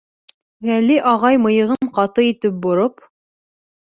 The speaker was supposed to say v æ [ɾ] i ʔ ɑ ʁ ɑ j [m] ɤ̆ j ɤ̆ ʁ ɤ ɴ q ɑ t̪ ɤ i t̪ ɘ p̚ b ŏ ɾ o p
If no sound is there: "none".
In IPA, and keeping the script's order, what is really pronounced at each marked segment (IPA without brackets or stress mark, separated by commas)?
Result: l, m